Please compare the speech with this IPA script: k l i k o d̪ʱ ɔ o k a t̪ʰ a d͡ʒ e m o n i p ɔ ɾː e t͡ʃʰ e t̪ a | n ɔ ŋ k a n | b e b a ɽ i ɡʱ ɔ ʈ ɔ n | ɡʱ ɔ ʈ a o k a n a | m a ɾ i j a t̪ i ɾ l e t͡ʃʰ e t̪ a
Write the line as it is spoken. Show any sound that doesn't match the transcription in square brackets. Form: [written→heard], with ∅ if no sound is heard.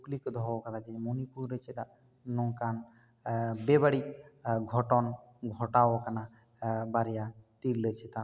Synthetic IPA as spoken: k l i k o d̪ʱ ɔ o k a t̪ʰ a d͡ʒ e m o n i p [ɔ→u] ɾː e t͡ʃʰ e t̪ a | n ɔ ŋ k a n | b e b a ɽ i ɡʱ ɔ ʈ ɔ n | ɡʱ ɔ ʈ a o k a n a | [m→b] a ɾ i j a t̪ i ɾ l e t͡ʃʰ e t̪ a